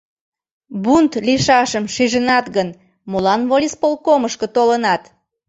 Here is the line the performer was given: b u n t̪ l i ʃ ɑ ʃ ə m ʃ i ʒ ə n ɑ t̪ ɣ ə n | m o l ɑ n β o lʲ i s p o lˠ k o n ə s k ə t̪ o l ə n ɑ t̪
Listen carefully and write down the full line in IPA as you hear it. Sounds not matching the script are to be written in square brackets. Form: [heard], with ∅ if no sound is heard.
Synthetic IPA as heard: b u n t̪ l i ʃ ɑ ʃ ə m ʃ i ʒ ə n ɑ t̪ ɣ ə n | m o l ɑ n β o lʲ i s p o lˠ k o [m] ə [ʃ] k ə t̪ o l ə n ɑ t̪